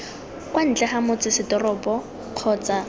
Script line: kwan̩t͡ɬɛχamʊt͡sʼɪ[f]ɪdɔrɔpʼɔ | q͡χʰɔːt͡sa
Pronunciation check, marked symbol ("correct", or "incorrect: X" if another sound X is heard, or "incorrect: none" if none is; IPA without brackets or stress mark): incorrect: s